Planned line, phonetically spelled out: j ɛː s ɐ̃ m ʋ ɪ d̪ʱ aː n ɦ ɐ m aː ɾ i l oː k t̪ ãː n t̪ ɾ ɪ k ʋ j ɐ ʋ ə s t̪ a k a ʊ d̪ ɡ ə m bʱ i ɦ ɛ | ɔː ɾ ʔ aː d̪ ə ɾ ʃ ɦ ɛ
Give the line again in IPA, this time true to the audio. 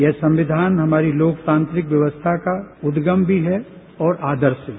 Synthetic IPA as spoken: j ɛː s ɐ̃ m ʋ ɪ d̪ʱ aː n ɦ ɐ m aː ɾ i l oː k t̪ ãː n t̪ ɾ ɪ k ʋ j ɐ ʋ ə s t̪ʰ a k a ʊ d̪ ɡ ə m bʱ i ɦ ɛ | ɔː ɾ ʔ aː d̪ ə ɾ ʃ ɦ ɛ

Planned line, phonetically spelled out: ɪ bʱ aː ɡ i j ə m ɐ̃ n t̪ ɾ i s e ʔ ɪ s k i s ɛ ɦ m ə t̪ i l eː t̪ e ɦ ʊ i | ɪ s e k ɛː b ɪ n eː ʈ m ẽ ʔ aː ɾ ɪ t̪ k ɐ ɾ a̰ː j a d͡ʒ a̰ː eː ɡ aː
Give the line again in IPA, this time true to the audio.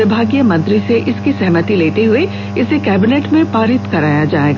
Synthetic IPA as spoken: ɪ bʱ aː ɡ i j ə m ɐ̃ n t̪ ɾ i s e ʔ ɪ s k i s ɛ ɦ m ə t̪ i l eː t̪ e ɦ ʊ e | ɪ s e k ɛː b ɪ n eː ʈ m ẽ p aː ɾ ɪ t̪ k ɐ ɾ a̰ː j a d͡ʒ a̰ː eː ɡ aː

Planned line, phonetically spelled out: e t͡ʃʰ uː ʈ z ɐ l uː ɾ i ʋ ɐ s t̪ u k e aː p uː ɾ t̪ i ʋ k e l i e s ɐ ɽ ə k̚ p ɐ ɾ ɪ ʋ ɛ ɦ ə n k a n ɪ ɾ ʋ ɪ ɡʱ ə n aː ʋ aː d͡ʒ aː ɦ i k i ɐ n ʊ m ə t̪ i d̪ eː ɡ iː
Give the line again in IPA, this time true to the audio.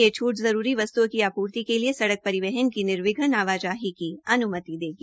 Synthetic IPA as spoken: e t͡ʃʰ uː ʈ z ɐ ɾ uː ɾ i ʋ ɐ s t̪ u k i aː p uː ɾ t̪ i k e l i e s ɐ ɽ ə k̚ p ɐ ɾ ɪ ʋ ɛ ɦ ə n k i n ɪ ɾ ʋ ɪ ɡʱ ə n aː ʋ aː d͡ʒ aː ɦ i k i ɐ n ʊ m ə t̪ i d̪ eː ɡ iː

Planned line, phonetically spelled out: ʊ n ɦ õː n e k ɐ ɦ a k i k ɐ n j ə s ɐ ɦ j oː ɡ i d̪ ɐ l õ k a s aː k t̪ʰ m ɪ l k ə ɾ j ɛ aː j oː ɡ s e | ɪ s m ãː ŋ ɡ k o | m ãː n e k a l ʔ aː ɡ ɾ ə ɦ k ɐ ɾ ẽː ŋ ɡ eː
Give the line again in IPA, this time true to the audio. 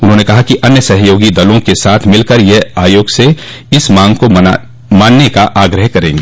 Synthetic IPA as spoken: ʊ n ɦ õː n e k ɐ ɦ a k i ʔ ɐ n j ə s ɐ ɦ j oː ɡ i d̪ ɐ l õ k e s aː t̪ʰ m ɪ l k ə ɾ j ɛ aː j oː ɡ s e | ɪ s m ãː ŋ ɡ k o | m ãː nː e k a ʔ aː ɡ ɾ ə ɦ k ɐ ɾ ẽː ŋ ɡ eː

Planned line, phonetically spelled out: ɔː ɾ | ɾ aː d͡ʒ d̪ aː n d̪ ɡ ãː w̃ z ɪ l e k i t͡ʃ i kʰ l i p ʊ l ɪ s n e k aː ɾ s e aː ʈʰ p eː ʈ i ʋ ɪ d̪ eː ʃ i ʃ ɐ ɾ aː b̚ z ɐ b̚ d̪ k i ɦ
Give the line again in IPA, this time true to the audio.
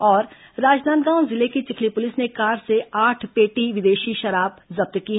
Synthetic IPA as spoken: ɔː ɾ | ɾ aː d͡ʒ d̪ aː n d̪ ɡ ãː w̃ z ɪ l e k i t͡ʃ ɪ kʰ l i p ʊ l ɪ s n e k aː ɾ s e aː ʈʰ p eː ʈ i ʋ ɪ d̪ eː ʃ i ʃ ɐ ɾ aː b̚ z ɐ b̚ t̪ k i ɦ

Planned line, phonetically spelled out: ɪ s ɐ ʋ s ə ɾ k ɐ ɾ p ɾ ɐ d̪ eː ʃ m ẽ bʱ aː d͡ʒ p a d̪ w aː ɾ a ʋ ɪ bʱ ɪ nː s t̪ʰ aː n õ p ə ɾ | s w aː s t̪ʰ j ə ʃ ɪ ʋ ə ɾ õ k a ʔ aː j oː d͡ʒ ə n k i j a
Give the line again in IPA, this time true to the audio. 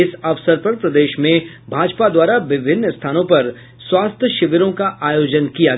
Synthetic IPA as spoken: ɪ s ɐ ʋ s ə ɾ p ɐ ɾ p ɾ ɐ d̪ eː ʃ m ẽ bʱ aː d͡ʒ p a d̪ w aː ɾ a ʋ ɪ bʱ ɪ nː s t̪ʰ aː n õ p ɐ ɾ | s w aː s t̪ʰ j ə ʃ ɪ ʋ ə ɾ õ k a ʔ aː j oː d͡ʒ ə n k i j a

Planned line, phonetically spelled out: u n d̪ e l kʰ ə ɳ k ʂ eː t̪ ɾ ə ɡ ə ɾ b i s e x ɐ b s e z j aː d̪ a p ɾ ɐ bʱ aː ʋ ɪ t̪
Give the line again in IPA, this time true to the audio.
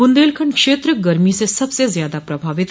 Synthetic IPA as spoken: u n d̪ e l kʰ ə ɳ k ʂ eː t̪ ɾ ə ɡ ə ɾ m i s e s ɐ b s e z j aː d̪ a p ɾ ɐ bʱ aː ʋ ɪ t̪

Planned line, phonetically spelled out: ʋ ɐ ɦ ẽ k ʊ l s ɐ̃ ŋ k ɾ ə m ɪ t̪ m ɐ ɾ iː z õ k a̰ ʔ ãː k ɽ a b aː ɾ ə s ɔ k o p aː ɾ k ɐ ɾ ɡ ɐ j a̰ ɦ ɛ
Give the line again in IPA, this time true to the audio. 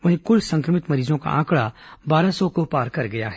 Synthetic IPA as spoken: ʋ ɐ ɦ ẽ k ʊ l s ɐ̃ ŋ k ɾ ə m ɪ t̪ m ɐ ɾ iː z õ k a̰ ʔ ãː k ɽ a b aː ɾ a s ɔ k o p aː ɾ k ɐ ɾ ɡ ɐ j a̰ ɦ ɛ

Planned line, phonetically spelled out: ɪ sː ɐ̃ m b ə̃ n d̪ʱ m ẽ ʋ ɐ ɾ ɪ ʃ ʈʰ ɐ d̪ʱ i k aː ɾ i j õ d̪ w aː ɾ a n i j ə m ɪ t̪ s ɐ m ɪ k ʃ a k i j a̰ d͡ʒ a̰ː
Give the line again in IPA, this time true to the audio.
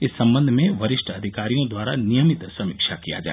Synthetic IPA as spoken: ɪ sː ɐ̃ m b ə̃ n d̪ʱ m ẽ ʋ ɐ ɾ ɪ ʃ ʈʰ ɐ d̪ʱ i k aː ɾ i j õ d̪ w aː ɾ a n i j ə m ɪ t̪ s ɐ m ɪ k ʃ a k i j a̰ d͡ʒ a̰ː

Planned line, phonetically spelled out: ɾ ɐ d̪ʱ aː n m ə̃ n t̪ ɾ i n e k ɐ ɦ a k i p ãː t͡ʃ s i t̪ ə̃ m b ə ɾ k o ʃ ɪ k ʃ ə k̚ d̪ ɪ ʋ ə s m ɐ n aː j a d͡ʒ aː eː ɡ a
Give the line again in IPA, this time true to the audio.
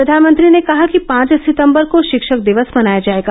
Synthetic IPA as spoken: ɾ ɐ d̪ʱ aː n m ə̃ n t̪ ɾ i n e k ɐ ɦ a k i p ãː t͡ʃ s ɪ t̪ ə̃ m b ə ɾ k o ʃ ɪ k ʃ ə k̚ d̪ ɪ ʋ ə s m ɐ n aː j a d͡ʒ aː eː ɡ a

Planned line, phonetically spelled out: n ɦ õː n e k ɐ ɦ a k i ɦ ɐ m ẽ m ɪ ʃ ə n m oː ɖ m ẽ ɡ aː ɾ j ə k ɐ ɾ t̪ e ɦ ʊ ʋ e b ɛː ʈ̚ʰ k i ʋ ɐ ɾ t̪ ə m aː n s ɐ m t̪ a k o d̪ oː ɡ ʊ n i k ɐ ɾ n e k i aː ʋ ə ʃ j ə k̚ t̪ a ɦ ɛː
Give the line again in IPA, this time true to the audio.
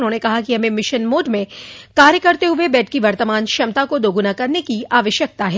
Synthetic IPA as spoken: n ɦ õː n e k ɐ ɦ a k i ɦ ɐ m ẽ m ɪ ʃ ə n m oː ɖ m ẽ k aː ɾ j ə k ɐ ɾ t̪ e ɦ ʊ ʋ e b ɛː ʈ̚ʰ k i ʋ ɐ ɾ t̪ ə m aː n ʃ ɐ m t̪ a k o d̪ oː ɡ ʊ n a k ɐ ɾ n e k i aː ʋ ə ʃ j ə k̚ t̪ a ɦ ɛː

